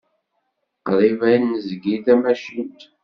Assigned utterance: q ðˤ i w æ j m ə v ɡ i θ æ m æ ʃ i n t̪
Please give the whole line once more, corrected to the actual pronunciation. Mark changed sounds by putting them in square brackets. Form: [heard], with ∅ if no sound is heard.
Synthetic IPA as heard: q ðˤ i [v] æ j [n] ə [z] ɡ i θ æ m æ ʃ i n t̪